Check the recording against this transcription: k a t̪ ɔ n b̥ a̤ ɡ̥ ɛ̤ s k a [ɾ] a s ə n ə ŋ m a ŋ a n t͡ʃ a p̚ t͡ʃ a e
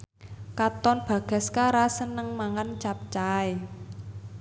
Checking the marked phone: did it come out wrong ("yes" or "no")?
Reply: no